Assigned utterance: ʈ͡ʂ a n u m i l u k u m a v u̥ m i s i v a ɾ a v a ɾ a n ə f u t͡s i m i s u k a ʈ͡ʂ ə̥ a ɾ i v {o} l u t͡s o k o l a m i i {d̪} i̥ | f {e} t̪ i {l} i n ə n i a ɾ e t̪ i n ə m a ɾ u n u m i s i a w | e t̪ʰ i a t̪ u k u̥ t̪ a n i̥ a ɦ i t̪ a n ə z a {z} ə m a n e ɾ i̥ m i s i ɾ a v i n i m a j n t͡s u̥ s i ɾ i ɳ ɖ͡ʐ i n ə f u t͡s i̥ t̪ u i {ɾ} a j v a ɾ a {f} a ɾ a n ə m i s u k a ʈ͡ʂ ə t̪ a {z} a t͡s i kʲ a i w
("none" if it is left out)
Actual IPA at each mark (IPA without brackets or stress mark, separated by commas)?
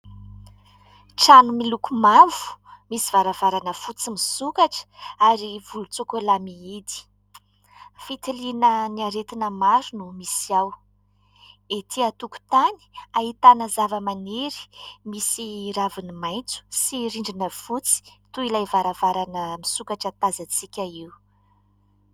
u, d̪, i, l, v, l, v, z